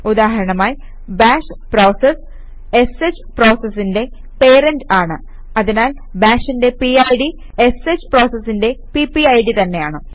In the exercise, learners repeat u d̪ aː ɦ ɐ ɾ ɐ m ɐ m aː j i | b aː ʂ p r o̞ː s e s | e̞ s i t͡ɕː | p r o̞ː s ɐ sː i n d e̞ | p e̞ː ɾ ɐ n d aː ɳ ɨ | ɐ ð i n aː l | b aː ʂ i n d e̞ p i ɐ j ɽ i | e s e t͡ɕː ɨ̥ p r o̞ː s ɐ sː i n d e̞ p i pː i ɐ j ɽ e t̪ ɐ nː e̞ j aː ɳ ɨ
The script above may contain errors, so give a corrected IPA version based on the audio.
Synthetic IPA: u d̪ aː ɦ ɐ ɾ ɐ ɳ ɐ m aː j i | b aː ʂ p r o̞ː s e s | e̞ s e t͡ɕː | p r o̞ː s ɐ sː i n d e̞ | p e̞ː ɾ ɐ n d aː ɳ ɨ | ɐ ð i n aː l | b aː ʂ i n d e̞ p i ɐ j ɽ i | e s e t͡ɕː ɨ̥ p r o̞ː s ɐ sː i n d e̞ p i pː i ɐ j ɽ i t̪ ɐ nː e̞ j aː ɳ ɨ

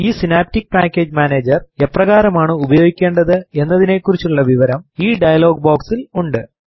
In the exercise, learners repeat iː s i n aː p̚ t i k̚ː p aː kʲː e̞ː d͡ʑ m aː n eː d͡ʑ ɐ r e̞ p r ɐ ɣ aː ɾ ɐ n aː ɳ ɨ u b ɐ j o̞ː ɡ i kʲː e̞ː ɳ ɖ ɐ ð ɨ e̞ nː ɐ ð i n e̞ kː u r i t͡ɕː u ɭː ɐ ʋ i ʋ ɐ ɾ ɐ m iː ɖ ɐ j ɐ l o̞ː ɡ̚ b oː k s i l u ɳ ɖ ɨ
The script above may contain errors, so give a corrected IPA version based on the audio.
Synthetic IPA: iː s i n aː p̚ t i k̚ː p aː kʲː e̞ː d͡ʑ m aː n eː d͡ʑ ɐ r e̞ p r ɐ ɣ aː ɾ ɐ m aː ɳ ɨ u b ɐ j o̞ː ɡ i kʲː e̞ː ɳ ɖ ɐ ð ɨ e̞ nː ɐ ð i n e̞ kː u r i t͡ɕː u ɭː ɐ ʋ i ʋ ɐ ɾ ɐ m iː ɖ ɐ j ɐ l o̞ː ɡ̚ b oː k s i l u ɳ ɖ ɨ

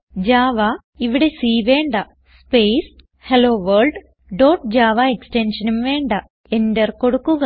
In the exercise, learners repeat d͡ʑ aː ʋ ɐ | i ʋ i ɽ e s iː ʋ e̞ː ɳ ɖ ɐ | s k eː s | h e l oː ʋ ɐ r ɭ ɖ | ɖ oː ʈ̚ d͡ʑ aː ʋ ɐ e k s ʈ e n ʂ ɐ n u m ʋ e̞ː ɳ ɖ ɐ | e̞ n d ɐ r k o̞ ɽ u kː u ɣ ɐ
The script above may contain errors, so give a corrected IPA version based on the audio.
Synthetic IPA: d͡ʑ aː ʋ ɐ | i ʋ i ɽ e s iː ʋ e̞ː ɳ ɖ ɐ | s p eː s | h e l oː ʋ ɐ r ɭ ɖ | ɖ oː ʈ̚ d͡ʑ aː ʋ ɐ e k s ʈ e n ʂ ɐ n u m ʋ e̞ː ɳ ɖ ɐ | e̞ n d ɐ r k o̞ ɽ u kː u ɣ ɐ

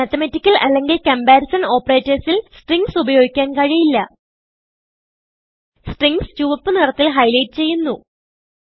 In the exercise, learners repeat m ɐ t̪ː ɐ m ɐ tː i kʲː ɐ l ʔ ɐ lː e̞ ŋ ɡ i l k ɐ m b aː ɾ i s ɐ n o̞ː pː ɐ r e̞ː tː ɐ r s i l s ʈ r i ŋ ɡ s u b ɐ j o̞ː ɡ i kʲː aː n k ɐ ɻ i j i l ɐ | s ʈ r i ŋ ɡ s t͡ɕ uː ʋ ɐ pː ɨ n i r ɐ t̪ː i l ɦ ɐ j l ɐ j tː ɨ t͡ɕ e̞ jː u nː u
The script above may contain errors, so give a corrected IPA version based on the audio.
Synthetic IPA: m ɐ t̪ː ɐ m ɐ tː i kʲː ɐ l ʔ ɐ lː e̞ ŋ ɡ i l k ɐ m b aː ɾ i s ɐ n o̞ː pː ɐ r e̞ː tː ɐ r s i l s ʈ r i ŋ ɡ s u b ɐ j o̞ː ɡ i kʲː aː n k ɐ ɻ i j i lː ɐ | s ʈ r i ŋ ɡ s t͡ɕ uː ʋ ɐ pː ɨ n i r ɐ t̪ː i l ɦ ɐ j l ɐ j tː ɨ t͡ɕ e̞ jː u nː u

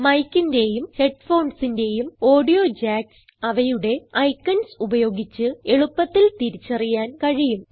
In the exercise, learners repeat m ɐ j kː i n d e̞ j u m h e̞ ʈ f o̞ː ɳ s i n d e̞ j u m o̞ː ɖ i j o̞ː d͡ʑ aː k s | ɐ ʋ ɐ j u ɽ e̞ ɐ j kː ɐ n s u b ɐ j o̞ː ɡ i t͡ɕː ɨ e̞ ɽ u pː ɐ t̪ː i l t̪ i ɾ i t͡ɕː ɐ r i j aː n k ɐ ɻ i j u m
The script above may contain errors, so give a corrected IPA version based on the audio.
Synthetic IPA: m ɐ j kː i n d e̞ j u m h e̞ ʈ f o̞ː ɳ s i n d e̞ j u m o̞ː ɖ i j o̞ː d͡ʑ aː k s | ɐ ʋ ɐ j u ɽ e̞ ɐ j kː ɐ n s u b ɐ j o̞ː ɡ i t͡ɕː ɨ e̞ ɭ u pː ɐ t̪ː i l t̪ i ɾ i t͡ɕː ɐ r i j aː n k ɐ ɻ i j u m

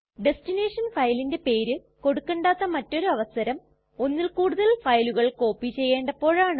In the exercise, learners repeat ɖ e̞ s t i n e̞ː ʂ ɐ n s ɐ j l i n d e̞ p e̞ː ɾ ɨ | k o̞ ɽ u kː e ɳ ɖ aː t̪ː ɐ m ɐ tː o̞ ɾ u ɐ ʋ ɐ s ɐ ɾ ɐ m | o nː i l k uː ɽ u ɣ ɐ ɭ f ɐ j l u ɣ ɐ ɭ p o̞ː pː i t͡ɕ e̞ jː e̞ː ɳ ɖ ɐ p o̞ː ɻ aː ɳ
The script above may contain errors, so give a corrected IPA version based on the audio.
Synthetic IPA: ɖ e̞ s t i n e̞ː ʂ ɐ n f ɐ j l i n d e̞ p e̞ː ɾ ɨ | k o̞ ɽ u kː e ɳ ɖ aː t̪ː ɐ m ɐ tː o̞ ɾ u ɐ ʋ ɐ s ɐ ɾ ɐ m | o nː i l k uː ɽ u ð ɐ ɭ f ɐ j l u ɣ ɐ ɭ k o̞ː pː i t͡ɕ e̞ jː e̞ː ɳ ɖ ɐ p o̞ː ɻ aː ɳ

